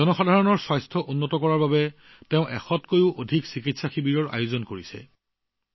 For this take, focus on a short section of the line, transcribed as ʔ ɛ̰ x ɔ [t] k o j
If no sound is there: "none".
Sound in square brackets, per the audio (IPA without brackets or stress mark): t